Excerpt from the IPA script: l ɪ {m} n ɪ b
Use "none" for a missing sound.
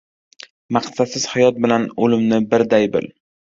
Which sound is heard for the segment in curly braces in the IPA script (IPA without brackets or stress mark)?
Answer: m